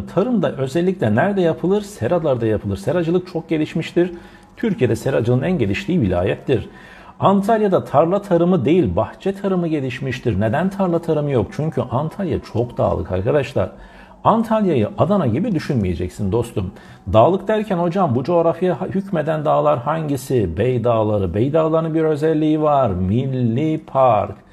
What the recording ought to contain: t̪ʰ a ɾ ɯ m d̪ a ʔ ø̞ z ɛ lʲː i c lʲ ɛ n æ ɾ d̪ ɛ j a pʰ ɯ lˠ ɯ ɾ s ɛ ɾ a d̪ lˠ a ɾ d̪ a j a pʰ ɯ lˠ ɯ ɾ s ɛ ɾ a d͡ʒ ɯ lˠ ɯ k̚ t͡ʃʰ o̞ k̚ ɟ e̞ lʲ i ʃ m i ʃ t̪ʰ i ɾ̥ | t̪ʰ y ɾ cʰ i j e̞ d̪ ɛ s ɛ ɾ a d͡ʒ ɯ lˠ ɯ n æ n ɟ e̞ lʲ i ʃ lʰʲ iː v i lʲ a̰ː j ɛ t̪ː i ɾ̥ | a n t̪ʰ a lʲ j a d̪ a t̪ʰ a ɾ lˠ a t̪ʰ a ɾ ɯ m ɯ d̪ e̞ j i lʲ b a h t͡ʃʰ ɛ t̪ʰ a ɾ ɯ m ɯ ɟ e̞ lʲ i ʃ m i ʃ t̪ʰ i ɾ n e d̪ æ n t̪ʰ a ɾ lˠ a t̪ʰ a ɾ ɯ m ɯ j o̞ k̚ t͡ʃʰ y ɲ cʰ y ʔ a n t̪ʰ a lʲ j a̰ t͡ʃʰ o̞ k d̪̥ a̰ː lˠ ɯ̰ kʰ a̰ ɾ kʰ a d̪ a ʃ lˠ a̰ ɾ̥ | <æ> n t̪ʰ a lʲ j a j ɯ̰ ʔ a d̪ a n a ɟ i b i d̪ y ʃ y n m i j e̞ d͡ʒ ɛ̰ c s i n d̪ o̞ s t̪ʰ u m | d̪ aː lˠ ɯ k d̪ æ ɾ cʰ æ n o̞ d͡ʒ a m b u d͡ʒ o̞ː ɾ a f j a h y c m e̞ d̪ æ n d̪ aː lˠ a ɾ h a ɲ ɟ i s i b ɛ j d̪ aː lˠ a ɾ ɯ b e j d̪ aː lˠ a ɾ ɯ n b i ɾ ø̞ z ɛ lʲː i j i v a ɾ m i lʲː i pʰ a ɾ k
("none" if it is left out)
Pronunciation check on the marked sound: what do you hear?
a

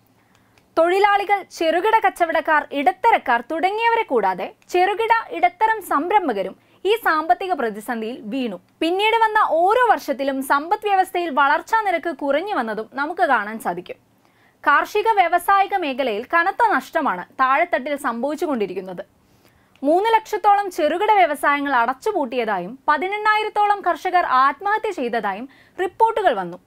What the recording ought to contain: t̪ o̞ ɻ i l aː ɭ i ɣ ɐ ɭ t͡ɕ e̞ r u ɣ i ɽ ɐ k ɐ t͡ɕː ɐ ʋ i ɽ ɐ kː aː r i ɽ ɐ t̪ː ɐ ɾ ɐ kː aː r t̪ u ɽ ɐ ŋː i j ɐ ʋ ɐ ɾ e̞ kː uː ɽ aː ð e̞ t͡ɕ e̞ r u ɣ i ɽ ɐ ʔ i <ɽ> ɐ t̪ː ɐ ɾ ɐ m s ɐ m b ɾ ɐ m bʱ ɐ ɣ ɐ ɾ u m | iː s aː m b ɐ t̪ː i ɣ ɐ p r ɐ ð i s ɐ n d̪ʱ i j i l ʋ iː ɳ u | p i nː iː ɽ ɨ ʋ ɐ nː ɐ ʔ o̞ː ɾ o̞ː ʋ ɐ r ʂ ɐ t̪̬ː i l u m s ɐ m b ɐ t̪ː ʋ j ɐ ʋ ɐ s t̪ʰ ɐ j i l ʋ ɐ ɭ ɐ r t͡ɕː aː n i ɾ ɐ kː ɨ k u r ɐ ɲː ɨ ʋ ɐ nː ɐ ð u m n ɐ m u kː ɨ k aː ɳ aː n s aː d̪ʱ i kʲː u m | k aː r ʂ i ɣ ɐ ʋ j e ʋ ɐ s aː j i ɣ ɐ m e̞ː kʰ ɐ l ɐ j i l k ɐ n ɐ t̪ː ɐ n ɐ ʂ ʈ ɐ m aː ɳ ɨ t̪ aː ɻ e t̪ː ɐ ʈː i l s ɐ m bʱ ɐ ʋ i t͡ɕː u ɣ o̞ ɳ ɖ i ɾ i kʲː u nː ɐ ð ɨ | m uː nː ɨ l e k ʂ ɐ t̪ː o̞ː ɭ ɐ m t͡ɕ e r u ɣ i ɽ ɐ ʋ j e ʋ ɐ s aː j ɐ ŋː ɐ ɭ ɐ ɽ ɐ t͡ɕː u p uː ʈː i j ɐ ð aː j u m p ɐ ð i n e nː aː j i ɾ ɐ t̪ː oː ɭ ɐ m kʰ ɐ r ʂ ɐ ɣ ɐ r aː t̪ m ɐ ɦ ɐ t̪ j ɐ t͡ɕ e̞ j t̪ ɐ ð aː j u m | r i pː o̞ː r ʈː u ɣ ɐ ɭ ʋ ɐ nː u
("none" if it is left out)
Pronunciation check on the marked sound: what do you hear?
ɽ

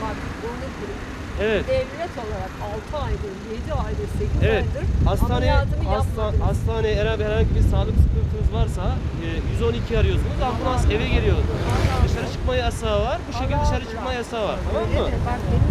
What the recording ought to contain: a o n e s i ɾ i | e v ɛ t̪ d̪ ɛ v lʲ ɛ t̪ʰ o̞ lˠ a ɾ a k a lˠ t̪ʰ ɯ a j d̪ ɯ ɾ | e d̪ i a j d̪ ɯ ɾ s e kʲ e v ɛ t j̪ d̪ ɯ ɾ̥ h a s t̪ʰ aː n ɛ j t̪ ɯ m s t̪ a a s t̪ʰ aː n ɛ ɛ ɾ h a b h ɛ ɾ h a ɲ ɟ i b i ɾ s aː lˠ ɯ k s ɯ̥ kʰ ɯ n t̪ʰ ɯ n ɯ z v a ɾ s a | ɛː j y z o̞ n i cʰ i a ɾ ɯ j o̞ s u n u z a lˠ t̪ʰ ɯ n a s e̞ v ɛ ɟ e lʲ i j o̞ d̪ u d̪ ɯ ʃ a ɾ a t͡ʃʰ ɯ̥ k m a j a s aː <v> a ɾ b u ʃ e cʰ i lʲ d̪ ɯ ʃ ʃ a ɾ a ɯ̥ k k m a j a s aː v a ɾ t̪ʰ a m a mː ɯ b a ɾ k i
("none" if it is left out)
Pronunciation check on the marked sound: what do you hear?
v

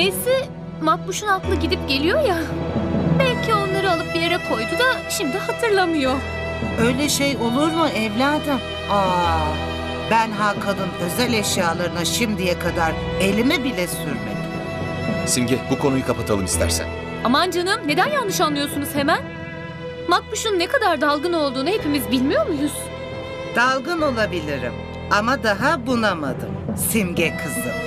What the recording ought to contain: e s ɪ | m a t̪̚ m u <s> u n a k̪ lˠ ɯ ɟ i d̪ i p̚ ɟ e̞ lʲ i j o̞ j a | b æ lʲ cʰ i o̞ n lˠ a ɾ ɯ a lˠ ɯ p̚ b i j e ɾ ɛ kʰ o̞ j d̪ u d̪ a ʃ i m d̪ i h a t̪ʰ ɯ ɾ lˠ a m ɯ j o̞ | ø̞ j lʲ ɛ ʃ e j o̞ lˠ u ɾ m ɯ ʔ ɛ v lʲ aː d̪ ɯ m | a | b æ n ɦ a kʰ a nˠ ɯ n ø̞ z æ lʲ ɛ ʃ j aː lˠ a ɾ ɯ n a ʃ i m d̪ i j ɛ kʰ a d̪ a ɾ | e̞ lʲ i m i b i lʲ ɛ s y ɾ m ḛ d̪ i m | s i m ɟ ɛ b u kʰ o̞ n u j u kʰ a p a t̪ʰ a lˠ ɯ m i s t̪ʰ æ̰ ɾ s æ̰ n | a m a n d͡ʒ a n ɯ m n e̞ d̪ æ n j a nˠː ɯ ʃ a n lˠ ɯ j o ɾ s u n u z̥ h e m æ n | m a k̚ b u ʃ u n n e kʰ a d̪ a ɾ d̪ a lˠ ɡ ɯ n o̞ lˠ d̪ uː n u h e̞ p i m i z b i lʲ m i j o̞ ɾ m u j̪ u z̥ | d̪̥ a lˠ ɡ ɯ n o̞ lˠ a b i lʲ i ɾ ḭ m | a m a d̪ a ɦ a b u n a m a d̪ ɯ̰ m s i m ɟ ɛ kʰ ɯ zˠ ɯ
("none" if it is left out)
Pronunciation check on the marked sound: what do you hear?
ʃ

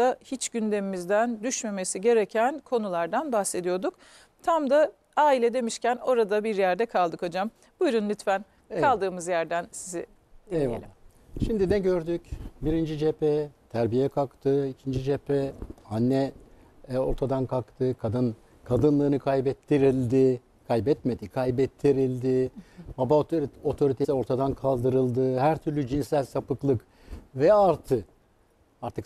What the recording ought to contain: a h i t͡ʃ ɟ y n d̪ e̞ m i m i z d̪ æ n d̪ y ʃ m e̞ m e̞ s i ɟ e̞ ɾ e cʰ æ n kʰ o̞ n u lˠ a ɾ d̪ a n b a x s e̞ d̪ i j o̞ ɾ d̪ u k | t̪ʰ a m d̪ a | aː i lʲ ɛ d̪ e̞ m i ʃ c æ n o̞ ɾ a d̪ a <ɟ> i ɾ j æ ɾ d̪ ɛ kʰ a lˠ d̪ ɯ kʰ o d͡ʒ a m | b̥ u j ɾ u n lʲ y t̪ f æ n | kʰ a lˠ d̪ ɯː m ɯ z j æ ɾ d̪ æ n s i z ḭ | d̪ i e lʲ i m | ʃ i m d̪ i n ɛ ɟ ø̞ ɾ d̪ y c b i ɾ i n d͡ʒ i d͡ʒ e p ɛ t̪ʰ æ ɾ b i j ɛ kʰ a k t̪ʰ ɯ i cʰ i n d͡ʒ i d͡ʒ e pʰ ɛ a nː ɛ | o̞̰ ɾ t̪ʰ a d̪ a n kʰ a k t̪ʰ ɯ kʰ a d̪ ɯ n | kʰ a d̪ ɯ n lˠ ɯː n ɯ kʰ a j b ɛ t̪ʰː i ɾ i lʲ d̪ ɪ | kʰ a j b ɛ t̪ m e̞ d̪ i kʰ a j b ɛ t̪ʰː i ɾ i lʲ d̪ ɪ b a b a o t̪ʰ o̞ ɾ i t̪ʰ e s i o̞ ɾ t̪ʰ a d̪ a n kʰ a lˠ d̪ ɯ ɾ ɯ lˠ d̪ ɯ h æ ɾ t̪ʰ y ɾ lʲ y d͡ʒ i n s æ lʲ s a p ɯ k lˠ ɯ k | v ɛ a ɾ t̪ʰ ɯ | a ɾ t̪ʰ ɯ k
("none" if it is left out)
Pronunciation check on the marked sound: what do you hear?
b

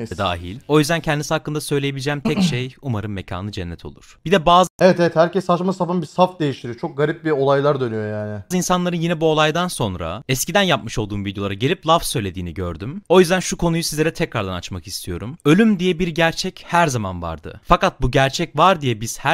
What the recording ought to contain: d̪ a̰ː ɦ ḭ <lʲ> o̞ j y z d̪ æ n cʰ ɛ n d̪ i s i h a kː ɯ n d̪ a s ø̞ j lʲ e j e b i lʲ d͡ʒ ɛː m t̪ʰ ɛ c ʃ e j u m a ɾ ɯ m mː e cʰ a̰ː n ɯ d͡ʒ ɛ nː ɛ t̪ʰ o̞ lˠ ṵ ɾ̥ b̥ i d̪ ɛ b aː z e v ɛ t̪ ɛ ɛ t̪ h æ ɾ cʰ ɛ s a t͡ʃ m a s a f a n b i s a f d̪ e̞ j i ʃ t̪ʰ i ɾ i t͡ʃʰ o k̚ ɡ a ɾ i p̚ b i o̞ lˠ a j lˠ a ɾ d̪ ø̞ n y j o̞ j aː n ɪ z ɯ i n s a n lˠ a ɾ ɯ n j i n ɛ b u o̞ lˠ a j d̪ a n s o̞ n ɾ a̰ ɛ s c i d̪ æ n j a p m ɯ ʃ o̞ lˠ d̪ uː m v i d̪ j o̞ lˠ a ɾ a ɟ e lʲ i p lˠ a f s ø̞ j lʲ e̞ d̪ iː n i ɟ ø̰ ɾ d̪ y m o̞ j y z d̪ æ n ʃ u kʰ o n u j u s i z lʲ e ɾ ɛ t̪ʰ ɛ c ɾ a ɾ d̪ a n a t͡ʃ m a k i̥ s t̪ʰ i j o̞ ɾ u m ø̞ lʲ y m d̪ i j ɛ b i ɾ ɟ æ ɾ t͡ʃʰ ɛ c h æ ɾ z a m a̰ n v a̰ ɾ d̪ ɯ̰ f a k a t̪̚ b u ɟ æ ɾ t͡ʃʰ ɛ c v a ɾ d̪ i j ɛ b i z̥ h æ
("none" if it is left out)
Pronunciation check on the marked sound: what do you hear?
lʲ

